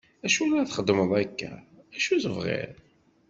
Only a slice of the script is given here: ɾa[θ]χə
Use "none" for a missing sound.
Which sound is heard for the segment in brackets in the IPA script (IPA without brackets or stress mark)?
θ